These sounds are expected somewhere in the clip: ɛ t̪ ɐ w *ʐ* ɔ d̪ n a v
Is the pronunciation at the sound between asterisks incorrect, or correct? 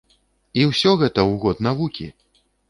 incorrect